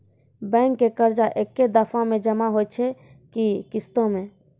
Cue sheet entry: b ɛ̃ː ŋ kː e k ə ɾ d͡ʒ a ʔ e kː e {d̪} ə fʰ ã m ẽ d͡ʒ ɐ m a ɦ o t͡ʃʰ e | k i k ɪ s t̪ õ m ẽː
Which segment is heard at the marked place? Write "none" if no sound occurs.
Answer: d̪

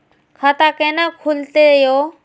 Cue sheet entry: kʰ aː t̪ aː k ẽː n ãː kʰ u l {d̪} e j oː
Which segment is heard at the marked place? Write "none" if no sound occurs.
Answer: t̪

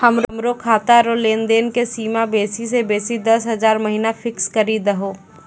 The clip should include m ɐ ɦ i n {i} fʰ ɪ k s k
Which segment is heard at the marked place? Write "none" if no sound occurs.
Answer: a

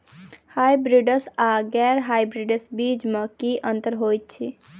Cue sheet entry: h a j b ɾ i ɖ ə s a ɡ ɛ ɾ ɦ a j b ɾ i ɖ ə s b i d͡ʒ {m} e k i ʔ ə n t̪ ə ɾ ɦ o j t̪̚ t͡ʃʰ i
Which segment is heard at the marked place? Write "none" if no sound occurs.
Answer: m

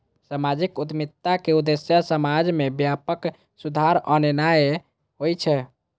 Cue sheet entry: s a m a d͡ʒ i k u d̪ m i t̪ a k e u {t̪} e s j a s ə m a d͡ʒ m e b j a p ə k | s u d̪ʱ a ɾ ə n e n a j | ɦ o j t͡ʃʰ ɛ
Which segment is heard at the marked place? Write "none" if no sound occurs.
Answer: d̪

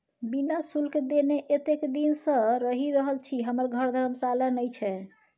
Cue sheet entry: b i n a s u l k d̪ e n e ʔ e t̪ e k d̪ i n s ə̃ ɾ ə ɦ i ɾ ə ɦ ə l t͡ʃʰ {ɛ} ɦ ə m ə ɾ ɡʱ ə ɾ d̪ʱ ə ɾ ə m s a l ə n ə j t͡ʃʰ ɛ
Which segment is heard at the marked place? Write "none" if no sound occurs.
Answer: i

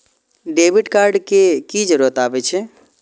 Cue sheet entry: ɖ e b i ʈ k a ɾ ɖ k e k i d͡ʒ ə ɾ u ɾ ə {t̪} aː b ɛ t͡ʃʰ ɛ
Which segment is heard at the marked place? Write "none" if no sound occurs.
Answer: t̪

